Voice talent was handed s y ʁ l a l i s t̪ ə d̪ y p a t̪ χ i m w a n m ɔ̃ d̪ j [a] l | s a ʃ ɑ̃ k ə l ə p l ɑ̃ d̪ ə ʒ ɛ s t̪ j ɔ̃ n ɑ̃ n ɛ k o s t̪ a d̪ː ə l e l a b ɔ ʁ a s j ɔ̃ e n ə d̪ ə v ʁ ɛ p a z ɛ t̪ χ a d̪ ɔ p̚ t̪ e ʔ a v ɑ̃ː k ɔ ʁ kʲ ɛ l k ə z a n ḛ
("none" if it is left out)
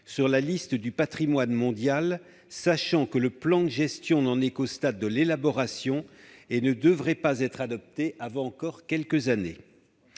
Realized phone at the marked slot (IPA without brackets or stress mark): a